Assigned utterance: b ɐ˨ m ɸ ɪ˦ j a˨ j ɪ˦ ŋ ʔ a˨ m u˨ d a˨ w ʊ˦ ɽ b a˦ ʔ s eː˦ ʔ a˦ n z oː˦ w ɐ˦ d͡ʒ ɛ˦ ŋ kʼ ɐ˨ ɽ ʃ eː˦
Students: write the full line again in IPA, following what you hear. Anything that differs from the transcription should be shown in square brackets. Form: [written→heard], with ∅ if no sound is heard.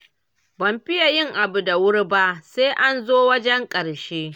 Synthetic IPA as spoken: b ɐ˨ m ɸ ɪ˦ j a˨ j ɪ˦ ŋ ʔ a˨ [m→b] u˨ d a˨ w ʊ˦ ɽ b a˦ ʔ s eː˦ ʔ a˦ n z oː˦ w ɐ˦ d͡ʒ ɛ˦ ŋ kʼ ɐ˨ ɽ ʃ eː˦

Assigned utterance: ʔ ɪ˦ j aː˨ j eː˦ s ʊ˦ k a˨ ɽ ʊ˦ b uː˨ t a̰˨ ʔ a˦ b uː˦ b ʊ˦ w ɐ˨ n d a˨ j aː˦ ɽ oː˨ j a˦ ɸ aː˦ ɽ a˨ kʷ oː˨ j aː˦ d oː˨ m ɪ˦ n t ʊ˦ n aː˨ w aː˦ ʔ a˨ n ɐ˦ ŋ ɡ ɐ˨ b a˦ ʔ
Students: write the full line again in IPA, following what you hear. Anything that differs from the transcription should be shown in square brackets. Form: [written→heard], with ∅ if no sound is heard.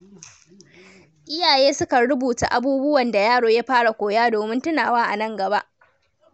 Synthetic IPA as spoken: ʔ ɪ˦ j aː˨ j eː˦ s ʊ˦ k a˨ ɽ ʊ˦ b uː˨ t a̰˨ ʔ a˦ b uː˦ b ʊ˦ w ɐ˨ n d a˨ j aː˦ ɽ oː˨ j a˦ ɸ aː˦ ɽ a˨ kʷ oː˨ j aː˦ d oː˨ m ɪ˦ n t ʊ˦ n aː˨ w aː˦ ʔ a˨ n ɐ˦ ŋ ɡ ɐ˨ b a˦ ʔ

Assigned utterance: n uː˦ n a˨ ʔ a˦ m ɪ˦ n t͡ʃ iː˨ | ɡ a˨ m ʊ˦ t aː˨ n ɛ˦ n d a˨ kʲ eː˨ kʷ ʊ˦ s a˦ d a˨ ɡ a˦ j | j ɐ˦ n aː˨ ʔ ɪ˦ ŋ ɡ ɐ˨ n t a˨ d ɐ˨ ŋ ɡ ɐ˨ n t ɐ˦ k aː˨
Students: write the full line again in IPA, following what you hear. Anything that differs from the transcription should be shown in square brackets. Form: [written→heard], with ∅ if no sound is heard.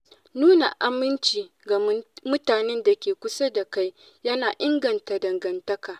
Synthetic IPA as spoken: n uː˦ n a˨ ʔ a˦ m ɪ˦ n t͡ʃ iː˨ | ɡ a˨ m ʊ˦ t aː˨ n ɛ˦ n d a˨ kʲ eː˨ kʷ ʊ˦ s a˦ d a˨ [ɡ→k] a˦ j | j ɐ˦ n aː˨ ʔ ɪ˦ ŋ ɡ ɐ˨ n t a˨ d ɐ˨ ŋ ɡ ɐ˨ n t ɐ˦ k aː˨

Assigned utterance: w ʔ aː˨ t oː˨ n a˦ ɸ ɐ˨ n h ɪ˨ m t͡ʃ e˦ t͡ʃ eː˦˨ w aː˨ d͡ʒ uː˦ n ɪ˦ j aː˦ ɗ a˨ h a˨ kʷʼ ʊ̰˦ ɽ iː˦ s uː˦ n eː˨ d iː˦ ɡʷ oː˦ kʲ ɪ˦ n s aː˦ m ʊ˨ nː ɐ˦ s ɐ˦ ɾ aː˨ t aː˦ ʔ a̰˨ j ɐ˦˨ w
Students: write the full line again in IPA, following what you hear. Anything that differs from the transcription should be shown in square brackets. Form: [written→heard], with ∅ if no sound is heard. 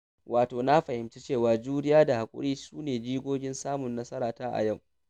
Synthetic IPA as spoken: w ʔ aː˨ t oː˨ n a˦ ɸ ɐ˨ [n→∅] h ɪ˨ m t͡ʃ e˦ t͡ʃ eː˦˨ w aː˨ d͡ʒ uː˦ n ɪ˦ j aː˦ [ɗ→d] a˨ h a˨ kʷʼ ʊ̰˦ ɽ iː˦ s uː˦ n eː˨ [d→d͡ʒ] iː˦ ɡʷ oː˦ [kʲ→ɡʲ] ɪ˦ n s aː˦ m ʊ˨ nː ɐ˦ s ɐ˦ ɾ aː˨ t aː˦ ʔ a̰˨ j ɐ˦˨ w

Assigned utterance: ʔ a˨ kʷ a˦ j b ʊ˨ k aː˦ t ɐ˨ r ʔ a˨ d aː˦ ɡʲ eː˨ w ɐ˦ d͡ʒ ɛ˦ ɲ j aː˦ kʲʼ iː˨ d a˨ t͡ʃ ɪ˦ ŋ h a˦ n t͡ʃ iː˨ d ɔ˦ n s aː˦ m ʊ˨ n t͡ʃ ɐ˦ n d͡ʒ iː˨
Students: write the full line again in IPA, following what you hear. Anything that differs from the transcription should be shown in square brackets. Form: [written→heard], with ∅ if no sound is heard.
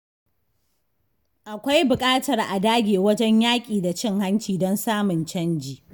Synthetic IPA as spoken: ʔ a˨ kʷ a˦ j b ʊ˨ [k→kʼ] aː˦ t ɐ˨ r ʔ a˨ d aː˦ ɡʲ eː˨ w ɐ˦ d͡ʒ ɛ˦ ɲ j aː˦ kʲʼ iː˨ d a˨ t͡ʃ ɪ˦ ŋ h a˦ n t͡ʃ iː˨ d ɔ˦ n s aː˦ m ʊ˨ n t͡ʃ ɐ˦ n d͡ʒ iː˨

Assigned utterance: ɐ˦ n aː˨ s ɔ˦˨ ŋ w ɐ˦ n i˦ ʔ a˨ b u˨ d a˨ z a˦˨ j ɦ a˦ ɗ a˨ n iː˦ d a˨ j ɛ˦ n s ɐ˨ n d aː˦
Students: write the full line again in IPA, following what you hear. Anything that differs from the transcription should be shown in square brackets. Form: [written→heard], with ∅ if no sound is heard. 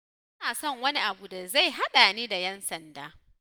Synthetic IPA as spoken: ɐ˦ n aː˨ s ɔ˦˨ ŋ w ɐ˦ n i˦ ʔ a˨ b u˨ d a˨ z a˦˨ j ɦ a˦ ɗ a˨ n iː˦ d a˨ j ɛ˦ n s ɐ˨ n d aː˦

